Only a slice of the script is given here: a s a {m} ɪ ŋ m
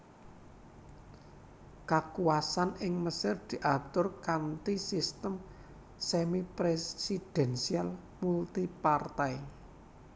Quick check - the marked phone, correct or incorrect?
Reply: incorrect